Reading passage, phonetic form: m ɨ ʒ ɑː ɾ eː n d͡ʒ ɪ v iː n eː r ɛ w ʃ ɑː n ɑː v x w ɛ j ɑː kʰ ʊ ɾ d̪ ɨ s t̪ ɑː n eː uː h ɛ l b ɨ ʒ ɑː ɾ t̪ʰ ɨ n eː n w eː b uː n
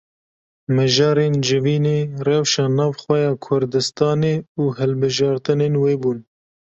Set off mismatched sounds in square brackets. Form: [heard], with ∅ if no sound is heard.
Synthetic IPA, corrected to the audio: m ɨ ʒ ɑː ɾ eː n d͡ʒ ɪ v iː n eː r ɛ w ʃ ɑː n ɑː v x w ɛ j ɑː kʰ ʊ ɾ d̪ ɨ s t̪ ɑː n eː uː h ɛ l b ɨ ʒ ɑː ɾ [t̪] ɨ n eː n w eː b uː n